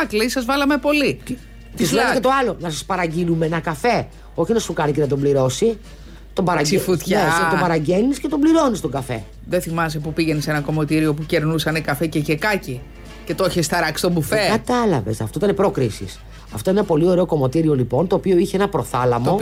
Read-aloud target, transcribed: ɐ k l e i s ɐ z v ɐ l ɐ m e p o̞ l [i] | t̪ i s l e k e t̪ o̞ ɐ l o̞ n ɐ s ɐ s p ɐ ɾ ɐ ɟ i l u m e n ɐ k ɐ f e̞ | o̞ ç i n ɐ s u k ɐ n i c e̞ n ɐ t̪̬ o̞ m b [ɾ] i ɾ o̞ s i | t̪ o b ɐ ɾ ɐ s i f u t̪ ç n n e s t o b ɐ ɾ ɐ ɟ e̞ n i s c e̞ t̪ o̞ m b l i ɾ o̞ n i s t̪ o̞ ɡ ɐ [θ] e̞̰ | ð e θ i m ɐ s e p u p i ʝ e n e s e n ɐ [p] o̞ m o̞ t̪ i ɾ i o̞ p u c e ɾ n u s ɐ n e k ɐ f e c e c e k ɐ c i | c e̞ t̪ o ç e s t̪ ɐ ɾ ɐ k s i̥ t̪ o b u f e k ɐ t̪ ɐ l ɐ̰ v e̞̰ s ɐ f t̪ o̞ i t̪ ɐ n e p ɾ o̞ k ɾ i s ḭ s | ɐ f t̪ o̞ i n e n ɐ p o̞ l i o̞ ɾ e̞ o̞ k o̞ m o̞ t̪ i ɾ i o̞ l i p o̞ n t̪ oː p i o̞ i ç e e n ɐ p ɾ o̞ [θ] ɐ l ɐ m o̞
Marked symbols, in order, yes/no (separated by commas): yes, no, no, no, yes